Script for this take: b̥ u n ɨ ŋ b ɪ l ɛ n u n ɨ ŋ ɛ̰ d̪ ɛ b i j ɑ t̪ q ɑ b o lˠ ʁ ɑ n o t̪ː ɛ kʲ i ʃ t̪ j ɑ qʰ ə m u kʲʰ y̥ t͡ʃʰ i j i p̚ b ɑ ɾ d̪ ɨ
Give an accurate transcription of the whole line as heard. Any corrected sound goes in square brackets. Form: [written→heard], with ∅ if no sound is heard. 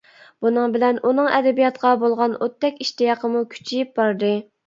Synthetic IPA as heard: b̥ u n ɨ ŋ b ɪ l ɛ n u n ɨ ŋ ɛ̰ d̪ ɛ b i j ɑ t̪ q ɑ b o lˠ ʁ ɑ n o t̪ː ɛ kʲ i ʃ t̪ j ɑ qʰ ə m u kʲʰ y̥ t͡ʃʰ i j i p̚ b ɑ ɾ d̪ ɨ